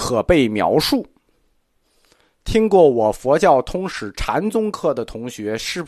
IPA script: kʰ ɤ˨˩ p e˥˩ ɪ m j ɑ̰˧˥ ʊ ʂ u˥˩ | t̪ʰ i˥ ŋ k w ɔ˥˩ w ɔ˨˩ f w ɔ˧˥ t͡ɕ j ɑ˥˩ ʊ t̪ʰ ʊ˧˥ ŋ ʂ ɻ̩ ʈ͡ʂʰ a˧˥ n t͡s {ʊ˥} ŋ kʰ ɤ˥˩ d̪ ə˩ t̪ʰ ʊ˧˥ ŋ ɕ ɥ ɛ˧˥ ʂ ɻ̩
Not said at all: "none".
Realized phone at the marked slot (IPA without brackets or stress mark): ʊ˥